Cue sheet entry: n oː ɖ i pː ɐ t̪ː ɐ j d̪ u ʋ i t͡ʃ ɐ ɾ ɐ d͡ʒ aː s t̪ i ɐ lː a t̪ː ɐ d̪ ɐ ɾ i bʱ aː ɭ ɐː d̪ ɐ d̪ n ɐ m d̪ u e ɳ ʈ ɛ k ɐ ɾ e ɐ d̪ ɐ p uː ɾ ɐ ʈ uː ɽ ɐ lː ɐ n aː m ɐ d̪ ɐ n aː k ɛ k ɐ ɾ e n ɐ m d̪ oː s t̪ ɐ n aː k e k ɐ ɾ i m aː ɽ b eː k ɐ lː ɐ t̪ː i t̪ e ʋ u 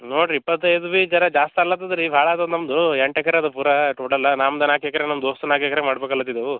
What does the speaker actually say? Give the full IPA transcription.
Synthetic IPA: n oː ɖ i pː ɐ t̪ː ɐ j d̪ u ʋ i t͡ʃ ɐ ɾ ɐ d͡ʒ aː s t̪ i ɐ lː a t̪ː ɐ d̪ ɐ ɾ i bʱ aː ɭ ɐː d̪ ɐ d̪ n ɐ m d̪ u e ɳ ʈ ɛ k ɐ ɾ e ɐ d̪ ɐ p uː ɾ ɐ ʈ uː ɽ ɐ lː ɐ n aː m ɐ d̪ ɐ n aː k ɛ k ɐ ɾ e n ɐ m d̪ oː s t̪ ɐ n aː k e k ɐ ɾ e m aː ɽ b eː k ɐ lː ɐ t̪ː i d̪ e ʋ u